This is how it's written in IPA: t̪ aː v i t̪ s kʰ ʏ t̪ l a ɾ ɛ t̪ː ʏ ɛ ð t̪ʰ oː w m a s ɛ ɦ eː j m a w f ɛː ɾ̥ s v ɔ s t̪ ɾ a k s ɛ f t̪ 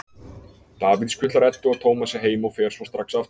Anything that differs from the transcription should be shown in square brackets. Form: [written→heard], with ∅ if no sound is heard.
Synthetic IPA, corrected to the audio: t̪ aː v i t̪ s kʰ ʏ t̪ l a ɾ ɛ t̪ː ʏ [ɛ→a] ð t̪ʰ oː w m a s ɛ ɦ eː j m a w f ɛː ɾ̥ s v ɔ s t̪ ɾ a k s [ɛ→a] f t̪